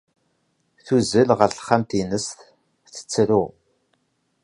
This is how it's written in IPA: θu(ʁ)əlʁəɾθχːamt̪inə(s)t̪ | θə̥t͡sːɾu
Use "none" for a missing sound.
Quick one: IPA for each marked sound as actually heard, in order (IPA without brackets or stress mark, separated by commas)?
z, s